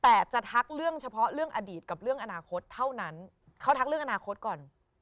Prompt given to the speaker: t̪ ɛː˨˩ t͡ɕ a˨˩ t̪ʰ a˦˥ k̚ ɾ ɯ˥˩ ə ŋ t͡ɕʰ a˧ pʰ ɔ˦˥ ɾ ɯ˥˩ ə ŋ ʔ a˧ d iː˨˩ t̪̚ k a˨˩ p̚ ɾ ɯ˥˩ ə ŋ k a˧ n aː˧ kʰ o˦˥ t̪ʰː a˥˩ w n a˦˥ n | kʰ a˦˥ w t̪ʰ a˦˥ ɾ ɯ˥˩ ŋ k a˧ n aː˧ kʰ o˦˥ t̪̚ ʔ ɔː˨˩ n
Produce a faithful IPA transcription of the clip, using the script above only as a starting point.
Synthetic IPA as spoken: t̪ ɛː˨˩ t͡ɕ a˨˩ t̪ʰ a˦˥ k̚ ɾ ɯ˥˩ ə ŋ t͡ɕʰ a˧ pʰ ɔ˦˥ ɾ ɯ˥˩ ə ŋ ʔ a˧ d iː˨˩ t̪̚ k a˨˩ p̚ ɾ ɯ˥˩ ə ŋ ʔ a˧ n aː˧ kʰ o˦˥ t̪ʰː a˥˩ w n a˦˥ n | kʰ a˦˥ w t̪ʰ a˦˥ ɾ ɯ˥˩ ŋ ʔ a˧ n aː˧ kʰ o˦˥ t̪̚ k ɔː˨˩ n